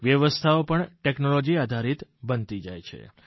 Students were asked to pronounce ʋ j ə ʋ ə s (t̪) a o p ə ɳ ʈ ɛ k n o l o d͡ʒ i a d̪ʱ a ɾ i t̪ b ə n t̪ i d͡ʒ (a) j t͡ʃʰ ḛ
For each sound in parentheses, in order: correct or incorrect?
incorrect, correct

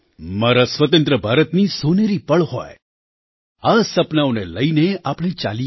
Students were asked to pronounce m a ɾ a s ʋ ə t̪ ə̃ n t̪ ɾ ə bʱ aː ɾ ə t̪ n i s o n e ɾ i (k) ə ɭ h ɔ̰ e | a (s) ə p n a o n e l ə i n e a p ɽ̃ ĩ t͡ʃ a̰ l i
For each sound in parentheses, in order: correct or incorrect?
incorrect, correct

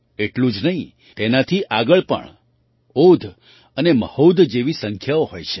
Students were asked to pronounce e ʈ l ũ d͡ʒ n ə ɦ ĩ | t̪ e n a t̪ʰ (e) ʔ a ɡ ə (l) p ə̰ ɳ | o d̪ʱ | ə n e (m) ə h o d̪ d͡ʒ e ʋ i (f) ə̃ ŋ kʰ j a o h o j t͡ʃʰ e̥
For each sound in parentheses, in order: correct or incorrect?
incorrect, incorrect, correct, incorrect

